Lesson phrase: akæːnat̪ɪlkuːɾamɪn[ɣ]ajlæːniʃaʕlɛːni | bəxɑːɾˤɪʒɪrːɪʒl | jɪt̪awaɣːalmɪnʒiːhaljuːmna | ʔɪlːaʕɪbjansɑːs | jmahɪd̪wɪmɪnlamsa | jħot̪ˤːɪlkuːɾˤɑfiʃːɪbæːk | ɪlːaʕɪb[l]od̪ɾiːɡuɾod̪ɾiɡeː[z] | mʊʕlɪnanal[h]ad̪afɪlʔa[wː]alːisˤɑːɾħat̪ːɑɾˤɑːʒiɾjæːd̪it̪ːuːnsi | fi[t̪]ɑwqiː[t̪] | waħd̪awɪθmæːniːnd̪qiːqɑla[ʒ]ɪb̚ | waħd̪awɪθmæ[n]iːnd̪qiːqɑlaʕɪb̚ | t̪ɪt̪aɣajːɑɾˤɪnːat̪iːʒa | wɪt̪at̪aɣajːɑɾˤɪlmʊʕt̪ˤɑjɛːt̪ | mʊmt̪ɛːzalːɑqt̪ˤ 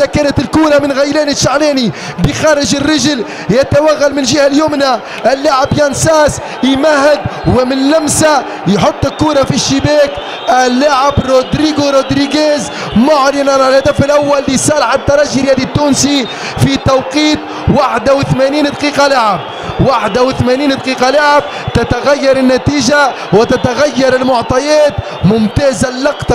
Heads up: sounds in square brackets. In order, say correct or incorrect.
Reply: correct, incorrect, correct, correct, correct, correct, correct, incorrect, correct

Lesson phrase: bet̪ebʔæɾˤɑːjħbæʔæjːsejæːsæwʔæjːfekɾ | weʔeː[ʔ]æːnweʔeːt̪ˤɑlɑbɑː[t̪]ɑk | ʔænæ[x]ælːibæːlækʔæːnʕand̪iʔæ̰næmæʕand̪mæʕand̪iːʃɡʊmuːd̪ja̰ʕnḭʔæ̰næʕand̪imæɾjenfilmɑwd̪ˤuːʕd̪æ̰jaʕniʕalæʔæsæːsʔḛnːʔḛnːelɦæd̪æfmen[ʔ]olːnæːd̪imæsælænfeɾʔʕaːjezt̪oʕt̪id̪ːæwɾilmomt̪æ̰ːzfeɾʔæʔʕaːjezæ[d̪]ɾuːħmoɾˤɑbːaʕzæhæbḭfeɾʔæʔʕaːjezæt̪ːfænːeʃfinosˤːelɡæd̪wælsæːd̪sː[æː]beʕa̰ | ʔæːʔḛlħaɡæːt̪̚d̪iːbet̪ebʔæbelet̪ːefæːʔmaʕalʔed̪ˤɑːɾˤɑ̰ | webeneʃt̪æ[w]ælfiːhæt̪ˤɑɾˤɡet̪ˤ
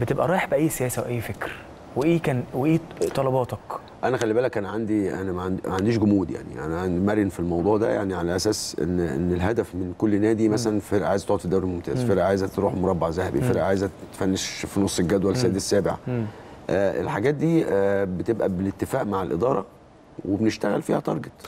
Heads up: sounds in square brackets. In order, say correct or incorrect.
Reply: incorrect, correct, correct, incorrect, incorrect, correct, incorrect

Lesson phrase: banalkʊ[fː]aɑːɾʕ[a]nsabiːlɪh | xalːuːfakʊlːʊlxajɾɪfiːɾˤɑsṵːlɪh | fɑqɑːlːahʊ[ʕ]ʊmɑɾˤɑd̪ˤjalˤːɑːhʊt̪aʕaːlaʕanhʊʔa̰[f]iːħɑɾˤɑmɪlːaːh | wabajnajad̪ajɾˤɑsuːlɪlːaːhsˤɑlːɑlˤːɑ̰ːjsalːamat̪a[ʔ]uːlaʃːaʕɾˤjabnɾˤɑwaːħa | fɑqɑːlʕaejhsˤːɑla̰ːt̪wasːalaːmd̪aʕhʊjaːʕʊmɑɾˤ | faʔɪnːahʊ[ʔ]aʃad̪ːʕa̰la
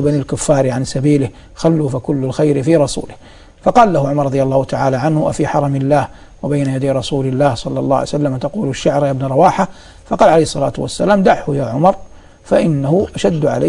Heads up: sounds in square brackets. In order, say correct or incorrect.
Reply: correct, correct, correct, correct, incorrect, correct

